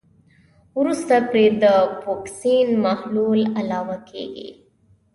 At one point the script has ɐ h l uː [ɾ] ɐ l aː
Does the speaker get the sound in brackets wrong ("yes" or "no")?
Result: yes